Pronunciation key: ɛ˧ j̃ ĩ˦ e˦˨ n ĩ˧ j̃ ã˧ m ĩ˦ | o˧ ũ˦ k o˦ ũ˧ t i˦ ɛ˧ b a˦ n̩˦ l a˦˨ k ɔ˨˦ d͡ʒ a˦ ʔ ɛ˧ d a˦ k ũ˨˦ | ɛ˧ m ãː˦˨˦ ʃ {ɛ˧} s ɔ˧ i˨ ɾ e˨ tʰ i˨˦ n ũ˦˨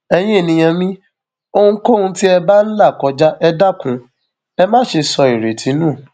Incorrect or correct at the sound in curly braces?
incorrect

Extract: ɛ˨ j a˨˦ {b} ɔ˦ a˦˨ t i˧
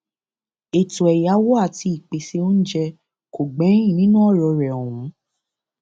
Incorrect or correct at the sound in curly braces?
incorrect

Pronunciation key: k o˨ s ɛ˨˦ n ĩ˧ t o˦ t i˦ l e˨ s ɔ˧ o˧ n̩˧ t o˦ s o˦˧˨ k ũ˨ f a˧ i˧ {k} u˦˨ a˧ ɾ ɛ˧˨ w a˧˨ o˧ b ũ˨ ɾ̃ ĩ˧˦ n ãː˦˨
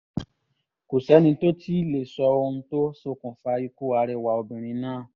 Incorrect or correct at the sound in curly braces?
correct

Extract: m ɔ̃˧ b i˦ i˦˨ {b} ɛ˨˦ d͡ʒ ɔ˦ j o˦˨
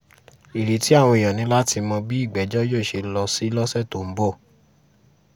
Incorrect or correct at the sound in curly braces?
incorrect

